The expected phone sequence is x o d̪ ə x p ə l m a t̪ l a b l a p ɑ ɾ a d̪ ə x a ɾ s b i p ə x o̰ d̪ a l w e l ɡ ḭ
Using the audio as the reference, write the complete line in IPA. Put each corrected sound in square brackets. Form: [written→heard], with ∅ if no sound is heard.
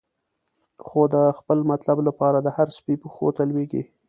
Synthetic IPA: x o d̪ ə x p ə l m a t̪ l a b l a p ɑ ɾ a d̪ ə [x→h] a ɾ s [b→p] i p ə x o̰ [d̪→t̪] a l w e [l→∅] ɡ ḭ